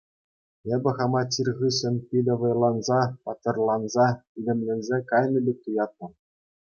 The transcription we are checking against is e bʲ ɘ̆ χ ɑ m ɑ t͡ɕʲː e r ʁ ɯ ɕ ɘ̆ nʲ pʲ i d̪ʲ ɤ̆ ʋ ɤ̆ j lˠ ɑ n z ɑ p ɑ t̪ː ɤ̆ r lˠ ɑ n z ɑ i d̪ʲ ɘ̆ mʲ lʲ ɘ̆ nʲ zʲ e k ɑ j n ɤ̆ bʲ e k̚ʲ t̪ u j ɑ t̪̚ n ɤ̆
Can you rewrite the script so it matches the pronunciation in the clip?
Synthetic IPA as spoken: e bʲ ɘ̆ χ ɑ m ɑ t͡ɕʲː i r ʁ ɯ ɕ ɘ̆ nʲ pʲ i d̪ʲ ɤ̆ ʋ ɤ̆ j lˠ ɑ n z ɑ p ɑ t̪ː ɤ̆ r lˠ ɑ n z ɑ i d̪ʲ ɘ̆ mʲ lʲ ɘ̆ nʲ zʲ e k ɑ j n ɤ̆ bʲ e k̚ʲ t̪ u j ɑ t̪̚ n ɤ̆